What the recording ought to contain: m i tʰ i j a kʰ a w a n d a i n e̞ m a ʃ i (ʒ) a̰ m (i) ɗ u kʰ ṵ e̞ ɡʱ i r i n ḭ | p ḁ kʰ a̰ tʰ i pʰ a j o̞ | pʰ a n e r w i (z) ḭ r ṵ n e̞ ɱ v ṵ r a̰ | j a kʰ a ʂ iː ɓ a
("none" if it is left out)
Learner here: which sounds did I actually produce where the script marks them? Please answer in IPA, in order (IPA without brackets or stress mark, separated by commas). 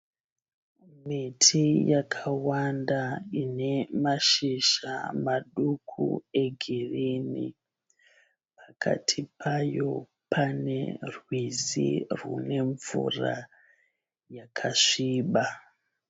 ʃ, a, z